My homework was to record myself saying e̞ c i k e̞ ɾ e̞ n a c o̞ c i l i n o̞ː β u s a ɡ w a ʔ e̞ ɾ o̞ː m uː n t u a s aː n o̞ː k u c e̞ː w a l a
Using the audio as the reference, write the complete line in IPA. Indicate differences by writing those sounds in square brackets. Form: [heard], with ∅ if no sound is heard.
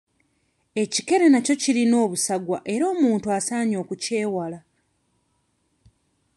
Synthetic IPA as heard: e̞ c i k e̞ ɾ e̞ n a c o̞ c i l i n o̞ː β u s a ɡ w a ʔ e̞ ɾ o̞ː m uː n t u a s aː [ɲ] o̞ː k u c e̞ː w a l a